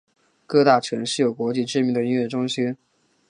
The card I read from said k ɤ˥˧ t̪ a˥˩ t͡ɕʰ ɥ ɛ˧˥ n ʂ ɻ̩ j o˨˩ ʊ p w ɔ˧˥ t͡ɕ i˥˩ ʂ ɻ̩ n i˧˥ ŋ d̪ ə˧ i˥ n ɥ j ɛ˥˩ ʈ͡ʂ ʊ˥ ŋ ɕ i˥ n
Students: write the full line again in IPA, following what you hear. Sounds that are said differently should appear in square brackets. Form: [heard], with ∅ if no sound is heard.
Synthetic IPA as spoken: k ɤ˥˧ t̪ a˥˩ t͡ɕʰ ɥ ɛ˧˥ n ʂ ɻ̩ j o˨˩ ʊ [k] w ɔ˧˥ t͡ɕ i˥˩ [ʈ͡ʂ] ɻ̩ [m] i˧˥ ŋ d̪ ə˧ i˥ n ɥ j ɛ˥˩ ʈ͡ʂ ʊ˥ ŋ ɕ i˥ n